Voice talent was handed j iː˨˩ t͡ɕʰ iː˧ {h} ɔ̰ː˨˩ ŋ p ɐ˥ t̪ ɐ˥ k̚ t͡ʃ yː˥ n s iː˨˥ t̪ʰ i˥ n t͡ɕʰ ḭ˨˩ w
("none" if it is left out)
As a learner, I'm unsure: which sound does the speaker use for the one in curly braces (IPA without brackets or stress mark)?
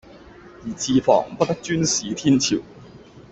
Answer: f